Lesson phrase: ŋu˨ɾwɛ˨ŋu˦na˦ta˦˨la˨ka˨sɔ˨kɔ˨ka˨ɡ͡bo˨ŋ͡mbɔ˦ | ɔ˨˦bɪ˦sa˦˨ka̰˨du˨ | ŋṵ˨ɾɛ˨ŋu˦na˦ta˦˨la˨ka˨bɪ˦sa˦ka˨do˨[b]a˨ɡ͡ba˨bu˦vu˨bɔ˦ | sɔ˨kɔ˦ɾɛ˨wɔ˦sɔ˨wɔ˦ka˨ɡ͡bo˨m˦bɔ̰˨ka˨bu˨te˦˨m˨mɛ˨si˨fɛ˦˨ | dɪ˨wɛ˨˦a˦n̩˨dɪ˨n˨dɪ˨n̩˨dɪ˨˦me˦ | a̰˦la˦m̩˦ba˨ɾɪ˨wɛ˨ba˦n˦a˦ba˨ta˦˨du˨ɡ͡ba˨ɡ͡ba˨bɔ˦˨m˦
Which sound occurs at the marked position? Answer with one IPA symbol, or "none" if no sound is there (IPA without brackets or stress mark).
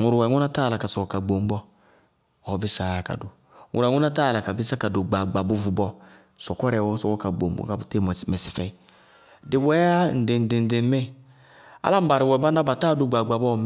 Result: ɡ͡b